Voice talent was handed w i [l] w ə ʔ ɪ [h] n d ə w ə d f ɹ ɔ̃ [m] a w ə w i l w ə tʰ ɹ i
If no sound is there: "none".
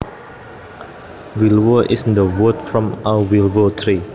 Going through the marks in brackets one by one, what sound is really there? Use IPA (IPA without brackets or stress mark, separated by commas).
l, s, m